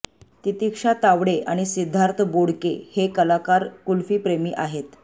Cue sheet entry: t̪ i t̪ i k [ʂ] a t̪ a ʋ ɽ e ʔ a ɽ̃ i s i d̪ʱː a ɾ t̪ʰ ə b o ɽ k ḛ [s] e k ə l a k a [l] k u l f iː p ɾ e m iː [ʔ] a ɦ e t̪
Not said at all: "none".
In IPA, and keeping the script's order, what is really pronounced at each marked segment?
ʂ, h, ɾ, ʔ

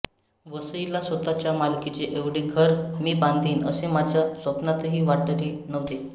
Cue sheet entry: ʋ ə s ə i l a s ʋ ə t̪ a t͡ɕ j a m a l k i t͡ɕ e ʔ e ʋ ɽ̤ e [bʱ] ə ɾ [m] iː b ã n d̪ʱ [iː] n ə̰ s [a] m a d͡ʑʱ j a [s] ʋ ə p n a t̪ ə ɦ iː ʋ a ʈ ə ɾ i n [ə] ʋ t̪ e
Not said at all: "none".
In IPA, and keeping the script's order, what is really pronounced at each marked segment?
ɡʱ, m, iː, e, s, ə

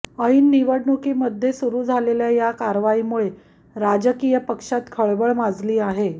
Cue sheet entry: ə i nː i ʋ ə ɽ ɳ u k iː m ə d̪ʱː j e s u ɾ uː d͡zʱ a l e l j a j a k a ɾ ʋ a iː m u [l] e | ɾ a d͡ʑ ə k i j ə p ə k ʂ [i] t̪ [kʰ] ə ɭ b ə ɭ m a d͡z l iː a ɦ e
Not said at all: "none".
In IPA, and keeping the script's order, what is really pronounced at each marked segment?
ɭ, a, kʰ

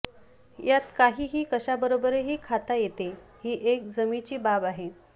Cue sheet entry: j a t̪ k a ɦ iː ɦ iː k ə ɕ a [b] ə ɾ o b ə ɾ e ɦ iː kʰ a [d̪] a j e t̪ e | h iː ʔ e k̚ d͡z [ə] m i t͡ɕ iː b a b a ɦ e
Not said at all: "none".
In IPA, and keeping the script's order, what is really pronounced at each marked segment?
b, t̪, ə

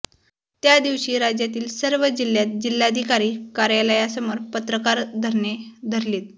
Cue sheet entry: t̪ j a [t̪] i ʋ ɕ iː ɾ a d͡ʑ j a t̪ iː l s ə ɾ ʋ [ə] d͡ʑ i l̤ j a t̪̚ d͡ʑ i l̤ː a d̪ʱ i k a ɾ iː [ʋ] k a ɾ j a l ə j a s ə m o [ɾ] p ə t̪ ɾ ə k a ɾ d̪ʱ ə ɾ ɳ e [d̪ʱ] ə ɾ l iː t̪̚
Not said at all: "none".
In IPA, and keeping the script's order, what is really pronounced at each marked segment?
d̪, ə, none, ɾ, d̪ʱ

